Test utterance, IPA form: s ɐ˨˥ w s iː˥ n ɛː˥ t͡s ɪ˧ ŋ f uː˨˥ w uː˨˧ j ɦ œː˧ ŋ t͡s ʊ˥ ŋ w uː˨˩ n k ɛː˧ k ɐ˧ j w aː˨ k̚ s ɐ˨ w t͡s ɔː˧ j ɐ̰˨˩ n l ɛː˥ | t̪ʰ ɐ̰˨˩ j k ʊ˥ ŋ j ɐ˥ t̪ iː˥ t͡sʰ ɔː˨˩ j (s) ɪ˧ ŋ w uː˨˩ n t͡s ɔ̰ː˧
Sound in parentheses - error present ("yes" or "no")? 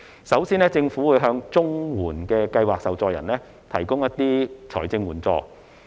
yes